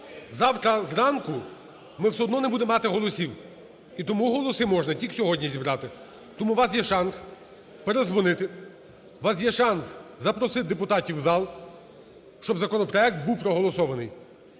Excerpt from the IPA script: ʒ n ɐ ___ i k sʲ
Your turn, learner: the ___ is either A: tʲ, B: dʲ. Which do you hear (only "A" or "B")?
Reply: A